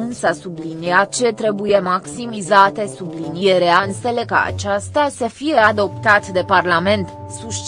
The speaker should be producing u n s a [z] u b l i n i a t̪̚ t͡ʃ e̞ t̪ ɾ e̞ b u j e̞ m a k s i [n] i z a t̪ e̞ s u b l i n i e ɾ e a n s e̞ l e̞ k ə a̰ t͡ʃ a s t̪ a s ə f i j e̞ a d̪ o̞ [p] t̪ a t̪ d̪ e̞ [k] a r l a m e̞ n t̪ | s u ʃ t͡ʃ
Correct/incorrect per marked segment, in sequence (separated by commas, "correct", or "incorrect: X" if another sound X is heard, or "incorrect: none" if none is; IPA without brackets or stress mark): incorrect: s, incorrect: m, correct, incorrect: p